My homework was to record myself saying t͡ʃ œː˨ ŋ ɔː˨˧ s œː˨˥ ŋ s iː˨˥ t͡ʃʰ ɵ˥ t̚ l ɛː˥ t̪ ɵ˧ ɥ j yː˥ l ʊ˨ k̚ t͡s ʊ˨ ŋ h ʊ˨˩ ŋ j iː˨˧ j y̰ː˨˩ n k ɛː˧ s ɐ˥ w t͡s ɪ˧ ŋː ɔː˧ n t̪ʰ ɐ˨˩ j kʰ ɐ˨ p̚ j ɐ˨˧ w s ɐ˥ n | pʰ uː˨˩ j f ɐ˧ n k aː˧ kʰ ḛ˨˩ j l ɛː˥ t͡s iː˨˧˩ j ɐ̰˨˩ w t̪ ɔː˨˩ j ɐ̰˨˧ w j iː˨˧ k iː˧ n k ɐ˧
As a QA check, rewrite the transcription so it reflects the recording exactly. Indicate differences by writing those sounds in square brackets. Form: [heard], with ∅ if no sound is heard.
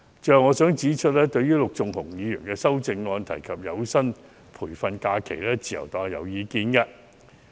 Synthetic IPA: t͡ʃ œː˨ ŋ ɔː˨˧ s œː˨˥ ŋ [t͡s] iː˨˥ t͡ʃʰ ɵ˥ t̚ l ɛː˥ t̪ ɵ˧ ɥ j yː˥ l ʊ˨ k̚ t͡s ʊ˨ ŋ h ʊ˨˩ ŋ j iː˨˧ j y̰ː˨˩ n k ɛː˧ s ɐ˥ w t͡s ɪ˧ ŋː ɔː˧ n t̪ʰ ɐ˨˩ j kʰ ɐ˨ p̚ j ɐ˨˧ w s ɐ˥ n | pʰ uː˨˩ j f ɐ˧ n k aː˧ kʰ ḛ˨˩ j l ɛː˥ t͡s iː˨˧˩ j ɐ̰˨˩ w t̪ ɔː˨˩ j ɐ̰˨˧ w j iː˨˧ k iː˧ n k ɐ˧